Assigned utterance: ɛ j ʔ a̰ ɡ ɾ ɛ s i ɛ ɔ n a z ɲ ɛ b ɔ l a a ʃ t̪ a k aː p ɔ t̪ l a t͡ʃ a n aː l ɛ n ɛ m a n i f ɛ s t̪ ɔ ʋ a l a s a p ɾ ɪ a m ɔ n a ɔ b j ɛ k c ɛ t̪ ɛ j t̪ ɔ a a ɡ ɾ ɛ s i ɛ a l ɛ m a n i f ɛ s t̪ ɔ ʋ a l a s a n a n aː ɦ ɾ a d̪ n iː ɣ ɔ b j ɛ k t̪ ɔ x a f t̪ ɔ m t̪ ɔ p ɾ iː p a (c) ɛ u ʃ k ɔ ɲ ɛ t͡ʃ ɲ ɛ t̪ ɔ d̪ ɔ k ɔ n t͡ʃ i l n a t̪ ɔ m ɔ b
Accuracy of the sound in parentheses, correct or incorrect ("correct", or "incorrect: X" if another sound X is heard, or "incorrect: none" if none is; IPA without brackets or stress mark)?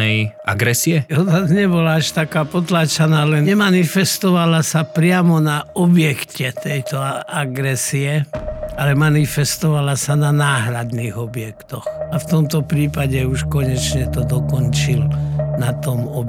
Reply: incorrect: ɟ